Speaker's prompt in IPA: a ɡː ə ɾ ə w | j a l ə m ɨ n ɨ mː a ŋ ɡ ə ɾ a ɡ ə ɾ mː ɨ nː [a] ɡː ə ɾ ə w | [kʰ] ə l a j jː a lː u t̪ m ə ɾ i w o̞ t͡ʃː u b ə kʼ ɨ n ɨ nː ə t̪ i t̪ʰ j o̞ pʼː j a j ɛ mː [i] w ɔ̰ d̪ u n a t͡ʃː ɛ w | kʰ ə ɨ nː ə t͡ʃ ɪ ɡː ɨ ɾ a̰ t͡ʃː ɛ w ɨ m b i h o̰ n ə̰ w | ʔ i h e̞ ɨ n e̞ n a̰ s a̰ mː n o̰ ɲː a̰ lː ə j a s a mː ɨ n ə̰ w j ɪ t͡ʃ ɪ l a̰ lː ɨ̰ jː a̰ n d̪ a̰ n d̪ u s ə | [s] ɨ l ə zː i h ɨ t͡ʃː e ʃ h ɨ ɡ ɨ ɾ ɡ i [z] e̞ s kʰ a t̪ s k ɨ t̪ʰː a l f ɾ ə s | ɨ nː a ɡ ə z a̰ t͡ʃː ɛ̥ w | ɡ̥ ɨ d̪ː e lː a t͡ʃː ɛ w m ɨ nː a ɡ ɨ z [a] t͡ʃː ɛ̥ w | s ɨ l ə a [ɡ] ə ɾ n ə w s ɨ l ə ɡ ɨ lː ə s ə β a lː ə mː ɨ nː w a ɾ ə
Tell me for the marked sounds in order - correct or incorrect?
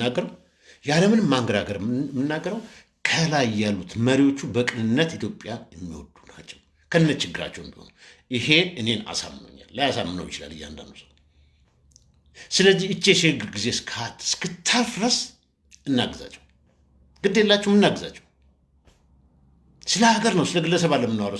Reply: correct, correct, correct, correct, correct, correct, correct

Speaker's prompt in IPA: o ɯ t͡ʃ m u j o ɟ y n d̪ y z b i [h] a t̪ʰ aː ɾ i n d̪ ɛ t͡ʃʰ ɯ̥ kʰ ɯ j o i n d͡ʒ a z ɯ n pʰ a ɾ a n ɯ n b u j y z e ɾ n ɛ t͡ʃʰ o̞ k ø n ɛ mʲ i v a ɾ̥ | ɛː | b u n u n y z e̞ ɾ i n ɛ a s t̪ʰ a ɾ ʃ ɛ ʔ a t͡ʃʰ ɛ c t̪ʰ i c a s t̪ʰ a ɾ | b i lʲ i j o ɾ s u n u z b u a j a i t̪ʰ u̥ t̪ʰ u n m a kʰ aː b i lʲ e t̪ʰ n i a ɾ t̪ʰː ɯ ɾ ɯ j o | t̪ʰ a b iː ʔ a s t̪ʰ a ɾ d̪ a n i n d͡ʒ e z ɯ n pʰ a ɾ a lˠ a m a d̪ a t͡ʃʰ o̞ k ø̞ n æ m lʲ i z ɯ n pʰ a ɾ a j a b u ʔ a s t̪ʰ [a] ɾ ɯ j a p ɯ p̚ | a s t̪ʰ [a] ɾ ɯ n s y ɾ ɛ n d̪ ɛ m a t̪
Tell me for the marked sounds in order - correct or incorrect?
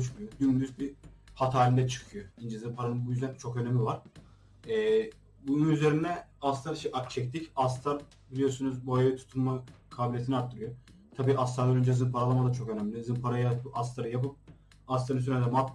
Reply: correct, correct, correct

